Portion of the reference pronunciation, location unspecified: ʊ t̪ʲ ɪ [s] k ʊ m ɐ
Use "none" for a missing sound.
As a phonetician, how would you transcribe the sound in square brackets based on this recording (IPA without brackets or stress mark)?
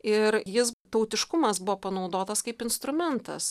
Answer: ʃ